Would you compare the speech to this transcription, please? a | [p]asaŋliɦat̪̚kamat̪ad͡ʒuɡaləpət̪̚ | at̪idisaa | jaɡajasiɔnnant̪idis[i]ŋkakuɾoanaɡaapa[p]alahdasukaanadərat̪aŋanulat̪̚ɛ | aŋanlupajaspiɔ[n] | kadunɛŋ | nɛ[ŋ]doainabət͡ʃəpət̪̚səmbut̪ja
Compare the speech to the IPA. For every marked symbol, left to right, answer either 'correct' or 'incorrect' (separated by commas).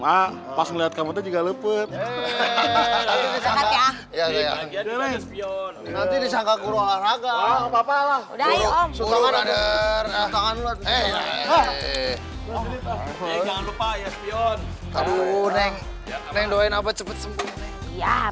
correct, incorrect, correct, correct, correct